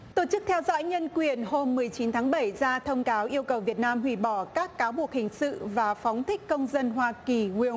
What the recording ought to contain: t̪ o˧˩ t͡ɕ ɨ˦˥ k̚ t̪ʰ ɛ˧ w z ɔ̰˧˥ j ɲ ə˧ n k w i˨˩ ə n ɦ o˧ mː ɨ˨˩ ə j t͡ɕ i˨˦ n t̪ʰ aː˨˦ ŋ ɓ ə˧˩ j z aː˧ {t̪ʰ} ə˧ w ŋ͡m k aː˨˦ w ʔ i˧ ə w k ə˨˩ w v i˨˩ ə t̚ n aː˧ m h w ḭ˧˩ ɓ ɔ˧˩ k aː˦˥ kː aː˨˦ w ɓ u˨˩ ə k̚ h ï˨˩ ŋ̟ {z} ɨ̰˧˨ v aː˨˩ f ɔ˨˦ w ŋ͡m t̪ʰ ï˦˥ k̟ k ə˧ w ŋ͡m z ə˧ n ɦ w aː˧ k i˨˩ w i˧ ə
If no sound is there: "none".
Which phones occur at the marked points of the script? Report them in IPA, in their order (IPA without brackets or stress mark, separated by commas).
t̪ʰ, s